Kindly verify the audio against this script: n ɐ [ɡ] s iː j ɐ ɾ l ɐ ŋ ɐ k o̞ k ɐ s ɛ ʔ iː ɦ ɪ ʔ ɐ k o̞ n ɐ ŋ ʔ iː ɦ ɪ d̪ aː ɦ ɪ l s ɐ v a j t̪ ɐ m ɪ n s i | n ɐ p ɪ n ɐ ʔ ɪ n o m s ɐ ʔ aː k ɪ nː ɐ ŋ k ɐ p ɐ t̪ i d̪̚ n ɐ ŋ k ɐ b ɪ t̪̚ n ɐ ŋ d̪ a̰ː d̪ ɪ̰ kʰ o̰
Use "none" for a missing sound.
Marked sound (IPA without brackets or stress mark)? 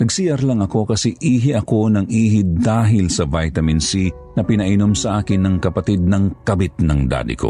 ɡ